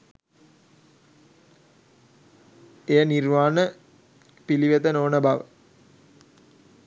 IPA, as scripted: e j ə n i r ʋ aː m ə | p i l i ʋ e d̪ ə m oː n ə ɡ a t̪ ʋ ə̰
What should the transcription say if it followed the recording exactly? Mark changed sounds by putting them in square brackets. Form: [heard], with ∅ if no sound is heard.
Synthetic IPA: e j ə n i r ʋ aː [n] ə | p i l i ʋ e [t̪] ə [n] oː n ə [b] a [∅] ʋ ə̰